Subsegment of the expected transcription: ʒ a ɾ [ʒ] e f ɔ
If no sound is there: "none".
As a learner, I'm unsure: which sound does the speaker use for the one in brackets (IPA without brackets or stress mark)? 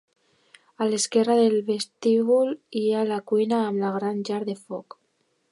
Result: ð